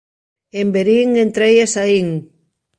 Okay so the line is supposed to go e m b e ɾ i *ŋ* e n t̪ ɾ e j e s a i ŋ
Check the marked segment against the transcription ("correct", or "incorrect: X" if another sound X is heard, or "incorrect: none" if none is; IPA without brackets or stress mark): correct